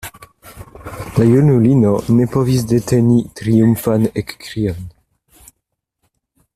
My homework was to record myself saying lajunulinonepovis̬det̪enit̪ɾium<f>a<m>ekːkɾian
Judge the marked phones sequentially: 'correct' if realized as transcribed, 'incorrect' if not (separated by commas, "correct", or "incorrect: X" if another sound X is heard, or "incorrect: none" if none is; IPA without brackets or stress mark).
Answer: correct, incorrect: n